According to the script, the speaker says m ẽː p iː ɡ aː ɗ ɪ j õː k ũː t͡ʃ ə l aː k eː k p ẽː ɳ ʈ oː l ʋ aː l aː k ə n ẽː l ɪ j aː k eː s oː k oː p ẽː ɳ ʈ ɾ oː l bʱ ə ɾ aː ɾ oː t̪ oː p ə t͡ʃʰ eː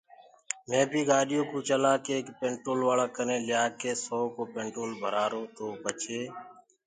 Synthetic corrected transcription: m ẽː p iː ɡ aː ɗ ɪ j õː k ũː t͡ʃ ə l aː k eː k p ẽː ɳ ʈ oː l ʋ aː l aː k ə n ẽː l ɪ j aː k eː s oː k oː p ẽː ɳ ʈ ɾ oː l bʱ ə ɾ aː ɾ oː t̪ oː p ə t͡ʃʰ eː